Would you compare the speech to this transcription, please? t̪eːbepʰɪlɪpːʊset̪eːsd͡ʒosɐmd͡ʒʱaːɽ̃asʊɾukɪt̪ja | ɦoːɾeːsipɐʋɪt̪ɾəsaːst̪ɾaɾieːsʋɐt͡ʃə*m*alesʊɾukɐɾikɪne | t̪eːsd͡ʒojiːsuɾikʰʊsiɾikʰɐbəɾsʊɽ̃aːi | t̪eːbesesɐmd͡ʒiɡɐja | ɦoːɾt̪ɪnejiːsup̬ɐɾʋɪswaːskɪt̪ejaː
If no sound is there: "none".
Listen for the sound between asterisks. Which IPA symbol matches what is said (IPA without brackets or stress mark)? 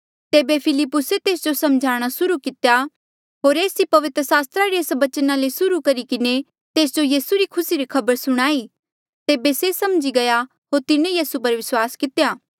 n